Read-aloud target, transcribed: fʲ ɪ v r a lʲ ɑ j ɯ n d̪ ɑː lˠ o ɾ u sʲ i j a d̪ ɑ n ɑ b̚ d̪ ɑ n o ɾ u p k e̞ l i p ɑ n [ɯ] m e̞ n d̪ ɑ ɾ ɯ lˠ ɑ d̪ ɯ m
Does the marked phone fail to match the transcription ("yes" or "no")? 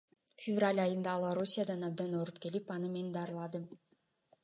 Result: no